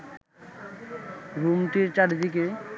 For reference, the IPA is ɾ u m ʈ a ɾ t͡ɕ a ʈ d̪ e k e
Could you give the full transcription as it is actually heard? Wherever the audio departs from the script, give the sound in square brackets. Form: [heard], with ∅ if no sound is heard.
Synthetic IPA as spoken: ɾ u m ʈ [i] ɾ t͡ɕ a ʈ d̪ [i] k e